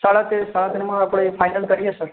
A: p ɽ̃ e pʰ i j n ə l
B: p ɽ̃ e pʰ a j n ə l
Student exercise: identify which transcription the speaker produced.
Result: B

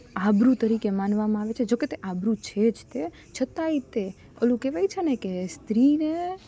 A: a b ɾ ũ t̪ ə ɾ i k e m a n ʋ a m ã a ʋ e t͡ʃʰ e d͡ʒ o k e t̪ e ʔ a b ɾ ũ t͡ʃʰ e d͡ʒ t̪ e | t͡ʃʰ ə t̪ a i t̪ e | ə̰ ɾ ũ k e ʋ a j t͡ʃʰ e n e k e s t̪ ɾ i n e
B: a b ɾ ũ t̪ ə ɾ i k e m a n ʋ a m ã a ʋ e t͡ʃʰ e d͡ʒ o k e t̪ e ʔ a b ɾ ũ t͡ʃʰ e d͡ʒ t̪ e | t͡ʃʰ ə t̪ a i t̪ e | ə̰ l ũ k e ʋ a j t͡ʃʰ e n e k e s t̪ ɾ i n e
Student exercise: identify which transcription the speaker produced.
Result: B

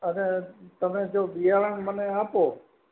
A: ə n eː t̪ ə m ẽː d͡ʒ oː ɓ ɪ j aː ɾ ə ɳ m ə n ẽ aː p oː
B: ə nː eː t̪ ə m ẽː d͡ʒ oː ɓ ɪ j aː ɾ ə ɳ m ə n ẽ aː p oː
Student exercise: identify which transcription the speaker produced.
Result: A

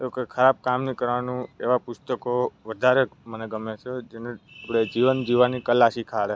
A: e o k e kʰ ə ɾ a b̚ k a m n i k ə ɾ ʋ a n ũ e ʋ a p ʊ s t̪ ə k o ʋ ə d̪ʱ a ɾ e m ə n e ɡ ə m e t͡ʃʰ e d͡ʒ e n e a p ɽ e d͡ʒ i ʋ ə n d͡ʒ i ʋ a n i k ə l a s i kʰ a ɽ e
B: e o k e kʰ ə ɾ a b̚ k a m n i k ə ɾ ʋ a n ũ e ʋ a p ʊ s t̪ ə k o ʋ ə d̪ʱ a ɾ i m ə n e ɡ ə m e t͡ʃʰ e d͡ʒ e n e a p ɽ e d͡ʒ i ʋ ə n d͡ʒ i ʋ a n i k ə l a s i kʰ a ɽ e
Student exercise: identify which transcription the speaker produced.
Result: A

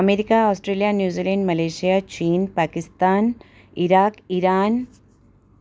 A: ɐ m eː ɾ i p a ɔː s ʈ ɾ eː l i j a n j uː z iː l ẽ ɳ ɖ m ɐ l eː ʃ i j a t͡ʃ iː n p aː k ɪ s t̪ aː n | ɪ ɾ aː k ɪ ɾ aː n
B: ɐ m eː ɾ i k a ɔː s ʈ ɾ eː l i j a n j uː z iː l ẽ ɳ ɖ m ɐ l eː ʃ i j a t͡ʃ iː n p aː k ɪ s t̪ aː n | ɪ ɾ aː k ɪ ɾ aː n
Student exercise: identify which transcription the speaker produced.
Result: B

